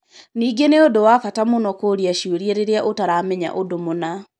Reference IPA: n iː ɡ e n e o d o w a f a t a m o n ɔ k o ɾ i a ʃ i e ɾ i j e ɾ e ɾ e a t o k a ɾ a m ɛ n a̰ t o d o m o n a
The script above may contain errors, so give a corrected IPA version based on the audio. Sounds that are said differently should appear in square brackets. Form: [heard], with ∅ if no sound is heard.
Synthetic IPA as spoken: n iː ɡ e n e o d o w a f a t a m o n ɔ k o ɾ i a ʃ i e ɾ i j e ɾ e ɾ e a [ʔ] o [t] a ɾ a m ɛ [ɲ] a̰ [ʔ] o d o m o n a